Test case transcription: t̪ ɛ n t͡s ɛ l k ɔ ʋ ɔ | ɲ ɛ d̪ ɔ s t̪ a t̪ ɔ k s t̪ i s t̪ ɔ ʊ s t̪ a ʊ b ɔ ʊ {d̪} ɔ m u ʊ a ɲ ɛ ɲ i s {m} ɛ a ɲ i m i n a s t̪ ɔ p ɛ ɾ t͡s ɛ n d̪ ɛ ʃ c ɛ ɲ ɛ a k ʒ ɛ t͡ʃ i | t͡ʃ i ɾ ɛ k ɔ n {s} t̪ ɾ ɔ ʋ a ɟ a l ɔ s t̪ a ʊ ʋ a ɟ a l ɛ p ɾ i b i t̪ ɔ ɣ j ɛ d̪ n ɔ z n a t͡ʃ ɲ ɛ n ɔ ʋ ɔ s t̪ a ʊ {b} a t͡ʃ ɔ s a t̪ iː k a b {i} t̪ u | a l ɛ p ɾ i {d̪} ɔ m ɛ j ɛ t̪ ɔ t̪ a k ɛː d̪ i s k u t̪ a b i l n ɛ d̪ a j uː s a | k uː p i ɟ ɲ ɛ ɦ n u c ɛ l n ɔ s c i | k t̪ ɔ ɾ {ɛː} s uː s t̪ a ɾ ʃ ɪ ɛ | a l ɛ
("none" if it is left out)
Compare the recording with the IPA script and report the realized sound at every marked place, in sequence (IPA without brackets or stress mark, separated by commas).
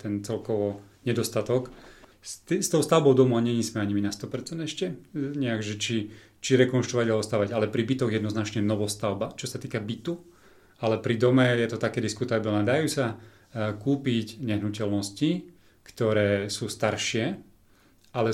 d̪, m, ʃ, b, i, d̪, ɛː